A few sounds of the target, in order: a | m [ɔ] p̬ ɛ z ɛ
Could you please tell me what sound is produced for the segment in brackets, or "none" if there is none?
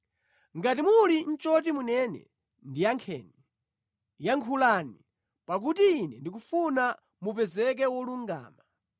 u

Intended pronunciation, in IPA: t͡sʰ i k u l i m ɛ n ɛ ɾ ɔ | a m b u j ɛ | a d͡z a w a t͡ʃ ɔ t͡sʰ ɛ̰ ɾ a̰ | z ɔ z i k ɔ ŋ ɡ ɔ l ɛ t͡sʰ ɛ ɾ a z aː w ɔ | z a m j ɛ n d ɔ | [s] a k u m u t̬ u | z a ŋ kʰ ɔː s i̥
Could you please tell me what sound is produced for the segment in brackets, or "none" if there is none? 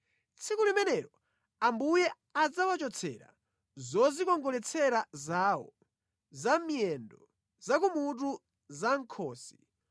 z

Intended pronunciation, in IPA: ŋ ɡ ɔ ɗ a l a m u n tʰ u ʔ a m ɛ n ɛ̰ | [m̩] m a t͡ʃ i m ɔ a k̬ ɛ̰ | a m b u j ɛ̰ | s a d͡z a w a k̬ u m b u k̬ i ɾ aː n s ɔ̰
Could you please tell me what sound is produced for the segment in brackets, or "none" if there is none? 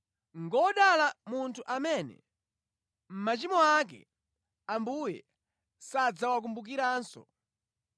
m̩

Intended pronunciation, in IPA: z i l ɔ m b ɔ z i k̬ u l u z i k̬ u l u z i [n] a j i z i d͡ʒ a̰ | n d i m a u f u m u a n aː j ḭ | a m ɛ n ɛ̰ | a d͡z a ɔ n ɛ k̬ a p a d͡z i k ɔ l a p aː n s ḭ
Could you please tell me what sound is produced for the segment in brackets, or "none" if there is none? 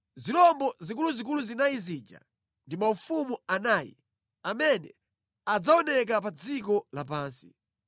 n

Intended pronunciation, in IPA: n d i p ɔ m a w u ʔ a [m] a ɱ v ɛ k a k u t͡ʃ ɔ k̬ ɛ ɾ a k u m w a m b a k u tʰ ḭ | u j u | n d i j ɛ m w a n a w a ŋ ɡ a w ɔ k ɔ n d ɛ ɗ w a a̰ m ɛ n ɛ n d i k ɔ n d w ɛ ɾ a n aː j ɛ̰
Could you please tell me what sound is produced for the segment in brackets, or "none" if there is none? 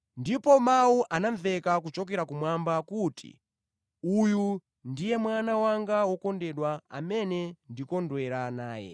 n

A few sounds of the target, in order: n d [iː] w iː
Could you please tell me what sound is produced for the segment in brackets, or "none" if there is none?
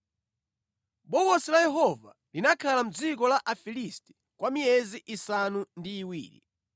iː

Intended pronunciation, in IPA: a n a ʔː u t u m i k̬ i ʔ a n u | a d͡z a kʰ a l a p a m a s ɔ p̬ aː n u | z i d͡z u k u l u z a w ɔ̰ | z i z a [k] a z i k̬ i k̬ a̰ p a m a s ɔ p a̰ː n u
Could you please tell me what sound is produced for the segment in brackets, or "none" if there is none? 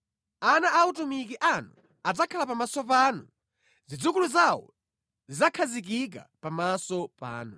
kʰ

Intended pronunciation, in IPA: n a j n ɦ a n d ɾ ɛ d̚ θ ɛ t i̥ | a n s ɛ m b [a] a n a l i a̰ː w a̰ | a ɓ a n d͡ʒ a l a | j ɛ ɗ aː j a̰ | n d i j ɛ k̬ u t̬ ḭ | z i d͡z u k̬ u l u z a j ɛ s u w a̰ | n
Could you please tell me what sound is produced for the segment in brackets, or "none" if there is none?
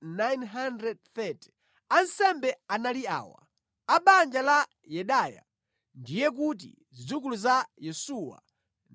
ɛ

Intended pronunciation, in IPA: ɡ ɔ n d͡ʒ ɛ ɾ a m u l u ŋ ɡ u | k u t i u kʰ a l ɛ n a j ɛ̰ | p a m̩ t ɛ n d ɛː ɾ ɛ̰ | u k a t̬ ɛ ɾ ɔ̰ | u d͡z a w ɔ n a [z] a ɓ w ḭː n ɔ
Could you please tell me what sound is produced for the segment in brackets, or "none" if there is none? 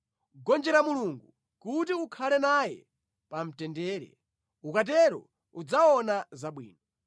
z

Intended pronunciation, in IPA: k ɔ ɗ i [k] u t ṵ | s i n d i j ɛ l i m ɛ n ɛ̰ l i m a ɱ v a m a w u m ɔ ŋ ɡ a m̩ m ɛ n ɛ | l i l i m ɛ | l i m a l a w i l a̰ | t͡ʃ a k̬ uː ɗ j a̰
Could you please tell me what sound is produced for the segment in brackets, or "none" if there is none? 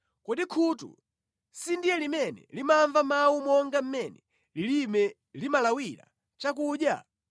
kʰ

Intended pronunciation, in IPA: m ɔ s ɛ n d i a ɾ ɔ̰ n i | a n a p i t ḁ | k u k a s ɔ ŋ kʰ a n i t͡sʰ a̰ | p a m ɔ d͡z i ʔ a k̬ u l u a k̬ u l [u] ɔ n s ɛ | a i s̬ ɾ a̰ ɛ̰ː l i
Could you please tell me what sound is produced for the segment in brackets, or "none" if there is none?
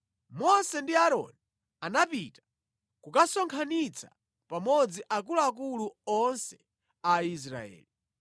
u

